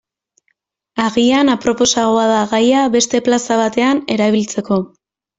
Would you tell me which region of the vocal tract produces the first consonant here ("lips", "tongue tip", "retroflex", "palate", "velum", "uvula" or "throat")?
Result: velum